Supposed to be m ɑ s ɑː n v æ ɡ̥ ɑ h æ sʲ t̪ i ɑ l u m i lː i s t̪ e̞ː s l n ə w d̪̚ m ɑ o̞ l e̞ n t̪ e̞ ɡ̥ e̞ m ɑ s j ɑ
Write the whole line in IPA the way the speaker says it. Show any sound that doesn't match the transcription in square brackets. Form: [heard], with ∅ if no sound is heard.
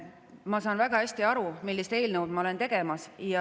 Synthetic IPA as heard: m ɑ s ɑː n v æ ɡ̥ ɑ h æ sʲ t̪ i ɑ [ɾ] u m i lː i s t̪ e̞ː [∅] l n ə w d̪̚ m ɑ o̞ l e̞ n t̪ e̞ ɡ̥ e̞ m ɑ s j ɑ